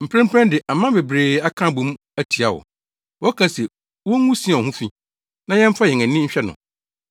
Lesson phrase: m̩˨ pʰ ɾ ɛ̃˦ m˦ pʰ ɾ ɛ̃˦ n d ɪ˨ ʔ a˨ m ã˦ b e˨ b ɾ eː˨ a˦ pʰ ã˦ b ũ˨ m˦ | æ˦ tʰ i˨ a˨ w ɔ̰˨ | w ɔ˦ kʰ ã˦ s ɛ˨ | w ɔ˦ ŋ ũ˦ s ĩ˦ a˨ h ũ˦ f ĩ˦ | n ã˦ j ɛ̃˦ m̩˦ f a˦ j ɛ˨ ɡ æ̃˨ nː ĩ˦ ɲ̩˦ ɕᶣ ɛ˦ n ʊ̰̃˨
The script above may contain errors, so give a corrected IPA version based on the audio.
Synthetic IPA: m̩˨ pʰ ɾ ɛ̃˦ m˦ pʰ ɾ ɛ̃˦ n d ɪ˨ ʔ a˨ m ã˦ b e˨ b ɾ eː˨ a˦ kʰ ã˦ b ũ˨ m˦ | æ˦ tʰ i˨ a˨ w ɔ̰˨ | w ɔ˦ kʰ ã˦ s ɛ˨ | w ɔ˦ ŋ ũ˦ s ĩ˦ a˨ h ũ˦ f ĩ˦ | n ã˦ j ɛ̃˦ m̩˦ f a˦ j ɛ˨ ŋ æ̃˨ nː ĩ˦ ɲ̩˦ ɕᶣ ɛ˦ n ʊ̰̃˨